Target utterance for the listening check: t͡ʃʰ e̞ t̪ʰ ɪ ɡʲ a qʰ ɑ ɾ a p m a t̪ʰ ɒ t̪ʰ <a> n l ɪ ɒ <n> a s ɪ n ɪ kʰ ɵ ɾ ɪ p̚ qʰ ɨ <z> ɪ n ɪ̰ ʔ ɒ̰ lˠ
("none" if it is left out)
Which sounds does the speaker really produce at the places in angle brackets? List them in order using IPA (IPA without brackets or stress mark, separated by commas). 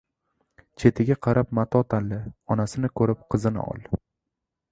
a, n, z